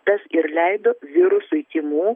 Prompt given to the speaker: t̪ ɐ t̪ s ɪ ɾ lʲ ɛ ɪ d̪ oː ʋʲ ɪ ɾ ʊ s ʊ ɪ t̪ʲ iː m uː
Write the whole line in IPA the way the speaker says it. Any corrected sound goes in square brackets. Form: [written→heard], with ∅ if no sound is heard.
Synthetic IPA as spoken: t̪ ɐ [t̪→∅] s ɪ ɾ lʲ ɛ ɪ d̪ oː ʋʲ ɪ ɾ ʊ s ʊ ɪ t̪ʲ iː m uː